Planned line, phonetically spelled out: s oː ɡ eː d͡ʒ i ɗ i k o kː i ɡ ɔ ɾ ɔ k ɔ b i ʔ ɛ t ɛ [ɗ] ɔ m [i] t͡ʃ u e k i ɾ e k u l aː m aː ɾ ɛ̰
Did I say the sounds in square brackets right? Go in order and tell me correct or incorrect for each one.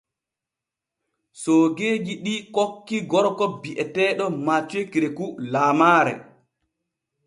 correct, incorrect: a

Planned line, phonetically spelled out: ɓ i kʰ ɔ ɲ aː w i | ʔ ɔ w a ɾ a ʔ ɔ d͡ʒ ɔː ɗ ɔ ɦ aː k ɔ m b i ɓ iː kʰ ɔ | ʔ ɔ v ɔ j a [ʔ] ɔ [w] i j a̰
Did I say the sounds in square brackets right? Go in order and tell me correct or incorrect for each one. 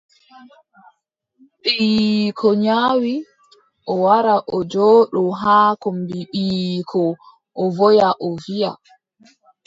correct, incorrect: v

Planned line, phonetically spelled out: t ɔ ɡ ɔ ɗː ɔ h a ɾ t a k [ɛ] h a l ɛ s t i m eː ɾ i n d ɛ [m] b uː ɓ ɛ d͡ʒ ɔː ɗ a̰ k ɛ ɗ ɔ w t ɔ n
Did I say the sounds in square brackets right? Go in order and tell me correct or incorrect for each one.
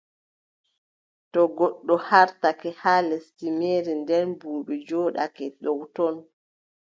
correct, incorrect: n

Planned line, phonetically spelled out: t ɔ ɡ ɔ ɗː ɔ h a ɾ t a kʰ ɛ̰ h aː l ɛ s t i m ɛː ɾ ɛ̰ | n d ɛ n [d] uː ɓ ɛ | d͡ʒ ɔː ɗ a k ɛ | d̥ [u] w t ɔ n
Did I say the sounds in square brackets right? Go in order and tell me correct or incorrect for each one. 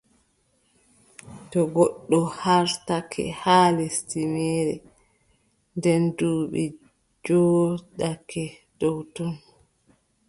correct, incorrect: ɔ

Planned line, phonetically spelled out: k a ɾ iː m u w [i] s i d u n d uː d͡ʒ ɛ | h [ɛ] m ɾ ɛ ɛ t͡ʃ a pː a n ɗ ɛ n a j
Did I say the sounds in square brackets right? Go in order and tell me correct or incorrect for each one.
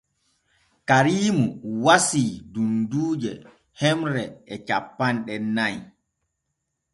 incorrect: a, correct

